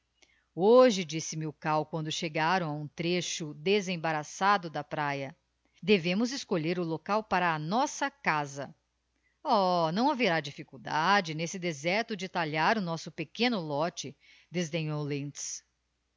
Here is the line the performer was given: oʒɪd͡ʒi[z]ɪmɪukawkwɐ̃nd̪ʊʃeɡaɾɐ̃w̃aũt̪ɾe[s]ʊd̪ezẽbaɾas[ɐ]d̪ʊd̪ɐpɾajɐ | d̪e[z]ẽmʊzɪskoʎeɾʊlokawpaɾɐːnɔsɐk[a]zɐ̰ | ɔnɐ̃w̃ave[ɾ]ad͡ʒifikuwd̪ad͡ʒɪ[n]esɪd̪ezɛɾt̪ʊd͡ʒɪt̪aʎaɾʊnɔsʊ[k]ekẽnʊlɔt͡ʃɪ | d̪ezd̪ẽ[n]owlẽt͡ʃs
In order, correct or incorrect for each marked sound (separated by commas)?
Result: incorrect, incorrect, incorrect, incorrect, correct, correct, correct, incorrect, incorrect